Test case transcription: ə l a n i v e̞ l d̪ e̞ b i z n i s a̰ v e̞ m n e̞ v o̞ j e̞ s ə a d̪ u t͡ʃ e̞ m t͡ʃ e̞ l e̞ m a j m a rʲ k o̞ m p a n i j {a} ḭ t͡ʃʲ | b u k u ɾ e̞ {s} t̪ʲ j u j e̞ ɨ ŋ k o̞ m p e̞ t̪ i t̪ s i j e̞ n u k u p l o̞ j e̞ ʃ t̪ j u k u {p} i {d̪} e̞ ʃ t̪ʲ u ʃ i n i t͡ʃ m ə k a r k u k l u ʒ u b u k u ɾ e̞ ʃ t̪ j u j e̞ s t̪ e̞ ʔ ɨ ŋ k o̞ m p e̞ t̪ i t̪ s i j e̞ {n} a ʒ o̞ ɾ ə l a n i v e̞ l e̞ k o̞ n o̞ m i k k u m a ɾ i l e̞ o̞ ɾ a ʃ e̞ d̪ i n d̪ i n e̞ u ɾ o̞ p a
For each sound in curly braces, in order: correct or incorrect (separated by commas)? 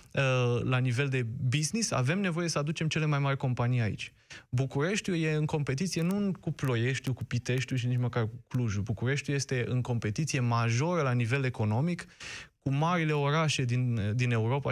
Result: correct, incorrect, correct, incorrect, incorrect